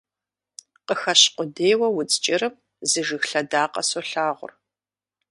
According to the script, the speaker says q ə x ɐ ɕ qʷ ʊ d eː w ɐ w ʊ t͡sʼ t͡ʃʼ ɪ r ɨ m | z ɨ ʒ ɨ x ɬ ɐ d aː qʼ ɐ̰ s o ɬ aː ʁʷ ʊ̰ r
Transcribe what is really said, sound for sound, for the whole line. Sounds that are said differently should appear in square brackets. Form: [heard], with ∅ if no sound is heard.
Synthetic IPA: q ə x ɐ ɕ qʷ ʊ d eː w ɐ w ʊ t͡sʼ t͡ʃʼ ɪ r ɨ m | z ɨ ʒ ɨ x ɬ ɐ d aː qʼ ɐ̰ s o ɬ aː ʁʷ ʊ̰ r